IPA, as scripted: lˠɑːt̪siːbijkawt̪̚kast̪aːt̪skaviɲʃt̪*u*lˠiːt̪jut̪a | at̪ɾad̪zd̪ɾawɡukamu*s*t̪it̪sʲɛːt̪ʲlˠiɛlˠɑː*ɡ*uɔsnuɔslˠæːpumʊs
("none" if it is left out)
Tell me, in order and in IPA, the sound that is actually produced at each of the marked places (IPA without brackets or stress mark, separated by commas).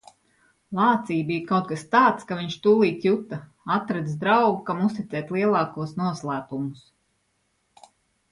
uː, s, k